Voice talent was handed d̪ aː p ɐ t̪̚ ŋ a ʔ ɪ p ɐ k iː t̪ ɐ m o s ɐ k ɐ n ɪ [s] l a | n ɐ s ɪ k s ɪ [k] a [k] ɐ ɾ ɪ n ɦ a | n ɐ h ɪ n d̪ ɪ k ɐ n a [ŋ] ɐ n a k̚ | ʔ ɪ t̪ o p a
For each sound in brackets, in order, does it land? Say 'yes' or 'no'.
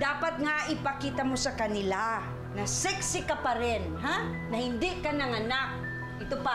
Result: no, yes, no, yes

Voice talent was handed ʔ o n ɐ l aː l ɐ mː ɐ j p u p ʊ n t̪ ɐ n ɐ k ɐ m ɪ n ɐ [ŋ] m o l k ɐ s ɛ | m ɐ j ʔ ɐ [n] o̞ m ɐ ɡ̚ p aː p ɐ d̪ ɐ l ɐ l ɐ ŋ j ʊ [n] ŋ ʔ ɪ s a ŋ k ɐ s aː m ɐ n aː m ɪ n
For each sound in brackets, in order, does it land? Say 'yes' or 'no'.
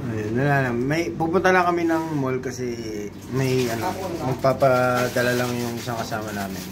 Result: yes, yes, no

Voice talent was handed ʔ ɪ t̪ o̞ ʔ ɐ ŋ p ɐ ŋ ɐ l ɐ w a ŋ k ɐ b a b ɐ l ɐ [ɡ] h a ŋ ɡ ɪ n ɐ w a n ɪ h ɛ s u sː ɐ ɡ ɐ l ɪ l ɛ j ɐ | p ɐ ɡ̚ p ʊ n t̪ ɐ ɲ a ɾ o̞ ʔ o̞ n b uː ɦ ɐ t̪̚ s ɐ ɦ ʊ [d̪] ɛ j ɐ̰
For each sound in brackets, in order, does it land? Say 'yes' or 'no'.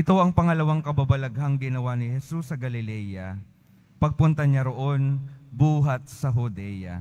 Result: yes, yes

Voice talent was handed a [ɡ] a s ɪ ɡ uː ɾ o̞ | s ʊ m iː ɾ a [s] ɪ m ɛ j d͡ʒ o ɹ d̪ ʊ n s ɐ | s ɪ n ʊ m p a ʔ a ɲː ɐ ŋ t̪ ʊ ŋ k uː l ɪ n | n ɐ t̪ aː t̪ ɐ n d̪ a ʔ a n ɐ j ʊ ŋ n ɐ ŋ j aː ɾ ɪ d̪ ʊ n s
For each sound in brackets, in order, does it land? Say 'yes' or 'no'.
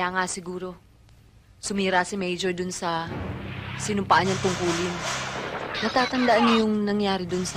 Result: no, yes

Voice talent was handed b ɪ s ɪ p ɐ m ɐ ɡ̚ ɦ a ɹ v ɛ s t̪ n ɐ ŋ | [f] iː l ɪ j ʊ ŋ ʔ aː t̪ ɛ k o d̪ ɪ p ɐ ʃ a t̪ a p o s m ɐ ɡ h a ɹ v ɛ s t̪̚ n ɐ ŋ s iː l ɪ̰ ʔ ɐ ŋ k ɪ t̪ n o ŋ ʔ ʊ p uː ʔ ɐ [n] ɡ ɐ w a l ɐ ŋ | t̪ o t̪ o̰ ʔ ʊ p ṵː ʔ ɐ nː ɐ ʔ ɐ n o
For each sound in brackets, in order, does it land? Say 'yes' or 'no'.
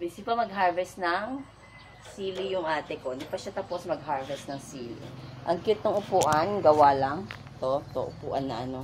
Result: no, yes

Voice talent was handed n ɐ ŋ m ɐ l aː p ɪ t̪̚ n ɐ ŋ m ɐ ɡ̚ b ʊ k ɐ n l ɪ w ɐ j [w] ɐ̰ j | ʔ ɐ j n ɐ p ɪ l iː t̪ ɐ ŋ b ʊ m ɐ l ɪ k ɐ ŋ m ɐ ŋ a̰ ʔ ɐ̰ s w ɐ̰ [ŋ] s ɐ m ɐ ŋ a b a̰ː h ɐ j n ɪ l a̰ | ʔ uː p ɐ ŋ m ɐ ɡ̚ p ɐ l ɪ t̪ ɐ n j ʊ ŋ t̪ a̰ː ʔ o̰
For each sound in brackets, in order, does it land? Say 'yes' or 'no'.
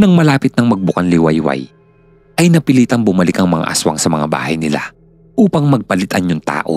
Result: yes, yes

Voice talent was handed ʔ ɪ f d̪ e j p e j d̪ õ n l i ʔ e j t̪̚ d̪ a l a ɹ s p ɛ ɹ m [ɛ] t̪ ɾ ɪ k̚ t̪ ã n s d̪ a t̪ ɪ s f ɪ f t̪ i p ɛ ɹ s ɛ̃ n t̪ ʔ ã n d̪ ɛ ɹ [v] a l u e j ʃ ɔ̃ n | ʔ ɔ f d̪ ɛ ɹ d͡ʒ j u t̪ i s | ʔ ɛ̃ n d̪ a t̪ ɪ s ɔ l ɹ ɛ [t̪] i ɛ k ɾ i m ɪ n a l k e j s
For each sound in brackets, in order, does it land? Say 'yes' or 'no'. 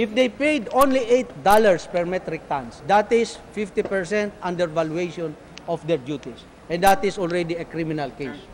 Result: yes, yes, no

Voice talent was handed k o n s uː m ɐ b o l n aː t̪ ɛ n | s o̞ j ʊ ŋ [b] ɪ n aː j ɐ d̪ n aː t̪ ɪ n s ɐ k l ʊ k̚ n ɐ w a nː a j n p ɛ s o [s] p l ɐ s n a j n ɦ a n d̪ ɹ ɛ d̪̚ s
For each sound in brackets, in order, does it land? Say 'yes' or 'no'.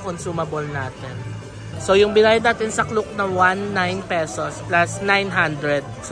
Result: yes, yes

